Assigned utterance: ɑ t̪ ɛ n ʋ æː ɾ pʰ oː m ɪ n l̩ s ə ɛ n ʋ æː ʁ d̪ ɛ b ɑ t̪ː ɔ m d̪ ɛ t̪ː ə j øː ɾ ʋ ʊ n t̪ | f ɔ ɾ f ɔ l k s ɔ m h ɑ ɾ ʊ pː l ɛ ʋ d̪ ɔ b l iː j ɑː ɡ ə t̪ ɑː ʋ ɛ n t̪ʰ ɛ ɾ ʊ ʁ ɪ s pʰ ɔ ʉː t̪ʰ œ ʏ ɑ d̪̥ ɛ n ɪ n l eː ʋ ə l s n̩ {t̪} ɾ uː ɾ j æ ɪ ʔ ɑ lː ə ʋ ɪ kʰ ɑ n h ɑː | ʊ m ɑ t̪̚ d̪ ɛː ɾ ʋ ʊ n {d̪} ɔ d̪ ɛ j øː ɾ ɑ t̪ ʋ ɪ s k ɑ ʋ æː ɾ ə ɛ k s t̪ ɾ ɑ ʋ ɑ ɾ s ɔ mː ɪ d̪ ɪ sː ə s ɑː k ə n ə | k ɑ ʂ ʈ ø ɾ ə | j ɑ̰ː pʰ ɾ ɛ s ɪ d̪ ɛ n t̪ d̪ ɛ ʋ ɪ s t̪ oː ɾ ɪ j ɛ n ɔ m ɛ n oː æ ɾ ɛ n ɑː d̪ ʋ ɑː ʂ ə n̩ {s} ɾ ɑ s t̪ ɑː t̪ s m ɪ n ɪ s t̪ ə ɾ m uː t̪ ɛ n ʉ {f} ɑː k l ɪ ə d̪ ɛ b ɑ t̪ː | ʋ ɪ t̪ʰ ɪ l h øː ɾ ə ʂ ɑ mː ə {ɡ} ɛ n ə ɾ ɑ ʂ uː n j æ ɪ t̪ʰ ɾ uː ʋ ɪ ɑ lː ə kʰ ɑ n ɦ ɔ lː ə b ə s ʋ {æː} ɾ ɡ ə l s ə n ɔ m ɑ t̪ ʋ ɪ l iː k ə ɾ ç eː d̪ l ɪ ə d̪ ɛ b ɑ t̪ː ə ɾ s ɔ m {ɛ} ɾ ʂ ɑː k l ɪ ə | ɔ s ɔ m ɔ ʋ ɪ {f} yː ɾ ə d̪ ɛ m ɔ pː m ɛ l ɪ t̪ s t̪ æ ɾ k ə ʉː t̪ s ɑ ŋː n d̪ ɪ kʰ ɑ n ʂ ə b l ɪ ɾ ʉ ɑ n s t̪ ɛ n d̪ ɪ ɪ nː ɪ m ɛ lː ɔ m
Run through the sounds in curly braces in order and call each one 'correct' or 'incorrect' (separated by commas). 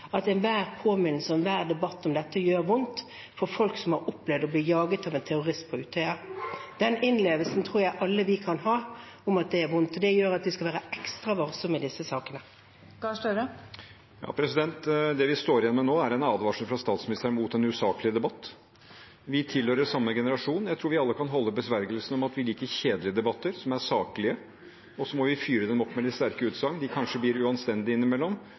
incorrect, incorrect, incorrect, incorrect, correct, incorrect, incorrect, correct